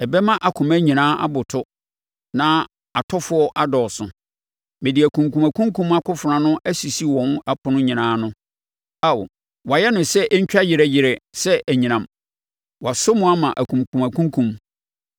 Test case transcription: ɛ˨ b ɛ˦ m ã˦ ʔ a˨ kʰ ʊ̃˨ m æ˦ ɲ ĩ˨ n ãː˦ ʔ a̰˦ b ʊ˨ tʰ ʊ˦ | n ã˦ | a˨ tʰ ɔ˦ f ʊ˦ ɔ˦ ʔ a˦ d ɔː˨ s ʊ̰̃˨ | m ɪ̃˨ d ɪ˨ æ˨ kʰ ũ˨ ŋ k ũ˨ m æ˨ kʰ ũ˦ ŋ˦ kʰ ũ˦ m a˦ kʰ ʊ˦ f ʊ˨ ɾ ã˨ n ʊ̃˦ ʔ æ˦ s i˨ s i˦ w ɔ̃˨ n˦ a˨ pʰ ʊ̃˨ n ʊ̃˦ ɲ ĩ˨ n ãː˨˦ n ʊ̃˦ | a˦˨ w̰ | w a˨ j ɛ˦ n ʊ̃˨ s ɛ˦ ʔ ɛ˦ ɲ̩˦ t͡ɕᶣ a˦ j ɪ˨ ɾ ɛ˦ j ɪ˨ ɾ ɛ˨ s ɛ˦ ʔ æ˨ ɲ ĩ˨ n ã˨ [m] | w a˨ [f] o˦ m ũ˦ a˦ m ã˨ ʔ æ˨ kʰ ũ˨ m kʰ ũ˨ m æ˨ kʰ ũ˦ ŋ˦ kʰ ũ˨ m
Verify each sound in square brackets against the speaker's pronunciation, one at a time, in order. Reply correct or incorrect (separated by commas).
correct, incorrect